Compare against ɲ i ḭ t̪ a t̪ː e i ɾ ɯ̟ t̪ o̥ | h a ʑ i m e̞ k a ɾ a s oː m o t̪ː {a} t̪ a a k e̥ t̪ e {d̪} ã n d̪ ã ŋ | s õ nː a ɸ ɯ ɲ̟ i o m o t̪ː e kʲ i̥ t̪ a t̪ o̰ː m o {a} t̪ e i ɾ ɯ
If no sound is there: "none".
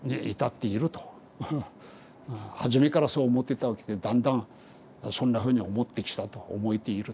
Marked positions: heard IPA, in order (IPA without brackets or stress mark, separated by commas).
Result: e, d̪, i